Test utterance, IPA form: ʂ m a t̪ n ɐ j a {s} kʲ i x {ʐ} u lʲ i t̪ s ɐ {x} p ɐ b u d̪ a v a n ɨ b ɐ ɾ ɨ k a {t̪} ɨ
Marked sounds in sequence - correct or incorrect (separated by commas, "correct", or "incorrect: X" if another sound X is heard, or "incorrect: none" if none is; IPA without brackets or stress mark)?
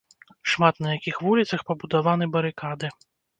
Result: incorrect: none, incorrect: v, correct, incorrect: d̪